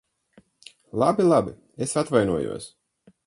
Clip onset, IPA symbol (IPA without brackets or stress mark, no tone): lˠ